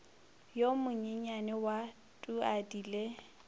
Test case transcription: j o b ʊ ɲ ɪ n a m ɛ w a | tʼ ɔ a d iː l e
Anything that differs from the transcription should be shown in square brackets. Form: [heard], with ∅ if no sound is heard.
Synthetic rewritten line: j o [m] ʊ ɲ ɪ [ɲ] a [n] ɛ w a | tʼ [u] a d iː l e